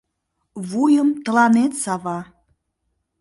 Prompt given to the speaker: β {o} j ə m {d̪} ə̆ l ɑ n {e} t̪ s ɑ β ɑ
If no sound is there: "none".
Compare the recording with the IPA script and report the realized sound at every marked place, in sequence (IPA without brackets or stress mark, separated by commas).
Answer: u, t̪, e